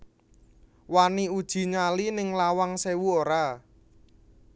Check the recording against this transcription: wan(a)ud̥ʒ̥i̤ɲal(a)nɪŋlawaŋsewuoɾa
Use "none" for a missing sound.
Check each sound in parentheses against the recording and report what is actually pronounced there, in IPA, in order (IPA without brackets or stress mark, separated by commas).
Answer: i, i